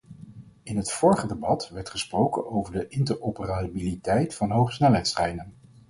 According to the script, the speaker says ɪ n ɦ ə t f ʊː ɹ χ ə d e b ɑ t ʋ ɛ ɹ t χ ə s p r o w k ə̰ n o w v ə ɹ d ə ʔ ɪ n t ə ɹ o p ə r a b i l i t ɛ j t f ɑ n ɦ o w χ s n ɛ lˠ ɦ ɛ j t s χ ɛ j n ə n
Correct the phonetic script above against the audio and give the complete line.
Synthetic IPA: ɪ n ɦ ə t f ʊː ɹ χ ə d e b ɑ t ʋ ɛ ɹ t χ ə s p r o w k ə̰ n o w v ə ɹ d ə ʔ ɪ n t ə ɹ o p ə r a b i l i t ɛ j t f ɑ n ɦ o w χ s n ɛ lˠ ɦ ɛ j t s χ ɛ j n ə n